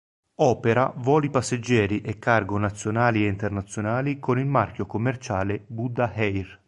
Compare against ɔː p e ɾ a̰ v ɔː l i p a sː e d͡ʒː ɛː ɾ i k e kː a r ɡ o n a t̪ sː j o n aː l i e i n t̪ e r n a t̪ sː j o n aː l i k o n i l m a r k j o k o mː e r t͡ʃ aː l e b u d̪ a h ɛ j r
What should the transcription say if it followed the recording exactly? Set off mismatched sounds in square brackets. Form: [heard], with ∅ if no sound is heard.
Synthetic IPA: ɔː p e ɾ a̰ v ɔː l i p a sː e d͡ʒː ɛː ɾ i [ʔ] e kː a r ɡ o n a t̪ sː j o n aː l i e i n t̪ e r n a t̪ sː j o n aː l i k o n i l m a r k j o k o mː e r t͡ʃ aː l e b u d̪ a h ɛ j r